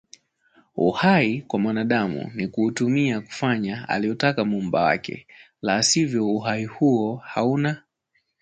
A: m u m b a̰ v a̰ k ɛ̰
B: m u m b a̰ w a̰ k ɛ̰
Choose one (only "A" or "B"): B